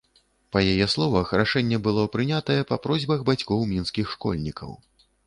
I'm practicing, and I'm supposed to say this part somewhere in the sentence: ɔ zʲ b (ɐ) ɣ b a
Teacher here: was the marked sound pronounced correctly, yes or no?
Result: yes